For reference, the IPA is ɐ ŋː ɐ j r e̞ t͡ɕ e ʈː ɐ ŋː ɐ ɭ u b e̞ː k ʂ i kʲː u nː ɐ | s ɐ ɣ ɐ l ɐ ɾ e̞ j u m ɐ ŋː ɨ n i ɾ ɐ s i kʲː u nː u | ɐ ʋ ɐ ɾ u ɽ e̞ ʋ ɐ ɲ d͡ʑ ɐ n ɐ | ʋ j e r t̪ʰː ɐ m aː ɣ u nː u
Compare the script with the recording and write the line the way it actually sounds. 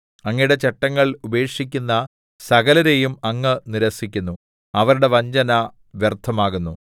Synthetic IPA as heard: ɐ ŋː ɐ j ɽ e̞ t͡ɕ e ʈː ɐ ŋː ɐ ɭ u b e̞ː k ʂ i kʲː u nː ɐ | s ɐ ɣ ɐ l ɐ ɾ e̞ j u m ɐ ŋː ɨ n i ɾ ɐ s i kʲː u nː u | ɐ ʋ ɐ ɾ u ɽ e̞ ʋ ɐ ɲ d͡ʑ ɐ n ɐ | ʋ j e r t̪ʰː ɐ m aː ɣ u nː u